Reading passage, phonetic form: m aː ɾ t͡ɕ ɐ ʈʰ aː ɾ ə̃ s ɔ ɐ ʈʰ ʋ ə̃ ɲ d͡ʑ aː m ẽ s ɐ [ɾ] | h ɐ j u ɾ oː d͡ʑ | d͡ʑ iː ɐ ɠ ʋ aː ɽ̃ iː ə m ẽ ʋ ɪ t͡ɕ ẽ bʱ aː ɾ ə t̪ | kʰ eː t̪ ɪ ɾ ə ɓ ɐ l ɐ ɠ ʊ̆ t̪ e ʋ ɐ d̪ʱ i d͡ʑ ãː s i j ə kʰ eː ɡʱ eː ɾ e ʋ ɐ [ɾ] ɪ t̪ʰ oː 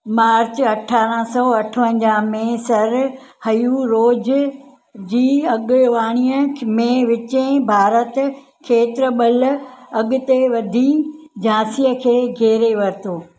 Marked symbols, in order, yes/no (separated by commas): yes, yes